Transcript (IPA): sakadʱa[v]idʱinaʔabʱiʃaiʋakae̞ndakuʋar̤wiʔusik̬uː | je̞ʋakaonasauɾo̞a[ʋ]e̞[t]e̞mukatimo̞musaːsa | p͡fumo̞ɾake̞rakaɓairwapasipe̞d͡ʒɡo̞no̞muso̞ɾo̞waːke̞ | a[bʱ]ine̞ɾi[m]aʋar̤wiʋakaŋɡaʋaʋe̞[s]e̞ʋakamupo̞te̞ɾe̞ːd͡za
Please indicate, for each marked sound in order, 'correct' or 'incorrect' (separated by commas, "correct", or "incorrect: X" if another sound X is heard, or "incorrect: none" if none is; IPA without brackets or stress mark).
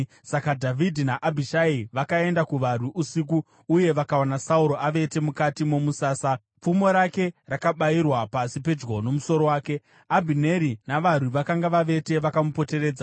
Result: correct, correct, correct, correct, incorrect: n, incorrect: t